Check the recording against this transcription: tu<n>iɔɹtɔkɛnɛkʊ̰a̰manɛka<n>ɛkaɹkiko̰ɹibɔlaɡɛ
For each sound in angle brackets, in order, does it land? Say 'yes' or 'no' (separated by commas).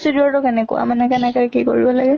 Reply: no, yes